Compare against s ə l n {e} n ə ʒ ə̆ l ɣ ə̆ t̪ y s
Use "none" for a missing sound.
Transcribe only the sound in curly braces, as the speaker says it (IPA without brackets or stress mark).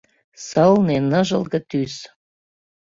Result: e